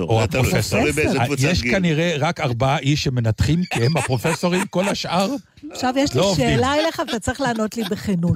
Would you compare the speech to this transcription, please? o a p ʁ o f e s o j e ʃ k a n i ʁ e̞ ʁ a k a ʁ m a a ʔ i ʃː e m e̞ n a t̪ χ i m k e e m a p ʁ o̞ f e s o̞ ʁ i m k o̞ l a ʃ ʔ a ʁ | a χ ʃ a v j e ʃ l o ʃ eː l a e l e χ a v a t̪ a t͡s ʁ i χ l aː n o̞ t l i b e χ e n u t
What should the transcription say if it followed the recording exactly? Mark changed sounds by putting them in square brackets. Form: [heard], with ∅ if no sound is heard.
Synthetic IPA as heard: o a p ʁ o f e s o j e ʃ k a n i ʁ e̞ ʁ a k a ʁ [b] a a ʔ i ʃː e m e̞ n a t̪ χ i m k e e m a p ʁ o̞ f e s o̞ ʁ i m k o̞ l a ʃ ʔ a ʁ | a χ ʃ a v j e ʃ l o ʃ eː l a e l e χ a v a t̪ a t͡s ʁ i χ l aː n o̞ t l i b e χ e n u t